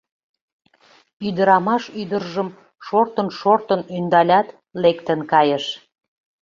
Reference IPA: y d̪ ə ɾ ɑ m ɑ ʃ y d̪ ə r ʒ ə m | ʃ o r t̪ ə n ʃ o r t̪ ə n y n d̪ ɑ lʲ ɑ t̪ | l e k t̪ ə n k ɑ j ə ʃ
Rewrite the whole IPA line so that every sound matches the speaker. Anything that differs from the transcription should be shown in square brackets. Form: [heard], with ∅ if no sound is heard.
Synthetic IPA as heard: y d̪ ə ɾ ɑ m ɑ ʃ y d̪ ə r ʒ ə m | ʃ o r t̪ ə n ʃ o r t̪ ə n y n d̪ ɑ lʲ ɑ t̪ | l e k t̪ ə n k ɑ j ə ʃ